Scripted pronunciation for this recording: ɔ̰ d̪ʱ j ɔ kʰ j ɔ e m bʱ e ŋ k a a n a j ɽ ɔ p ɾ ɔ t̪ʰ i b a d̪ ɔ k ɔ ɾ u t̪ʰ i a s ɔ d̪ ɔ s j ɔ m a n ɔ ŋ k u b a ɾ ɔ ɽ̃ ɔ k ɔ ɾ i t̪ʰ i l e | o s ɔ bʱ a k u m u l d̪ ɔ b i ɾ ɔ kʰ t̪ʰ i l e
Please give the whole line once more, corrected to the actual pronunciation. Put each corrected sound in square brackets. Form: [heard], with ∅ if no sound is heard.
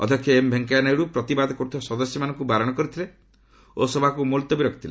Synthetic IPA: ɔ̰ d̪ʱ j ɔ kʰ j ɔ e m bʱ e ŋ k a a n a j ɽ [u] p ɾ ɔ [t̪] i b a d̪ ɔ k ɔ ɾ u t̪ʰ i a s ɔ d̪ ɔ s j ɔ m a n ɔ ŋ k u b a ɾ ɔ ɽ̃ ɔ k ɔ ɾ i t̪ʰ i l e | o s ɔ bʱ a k u m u l [t̪] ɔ b i ɾ ɔ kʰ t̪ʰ i l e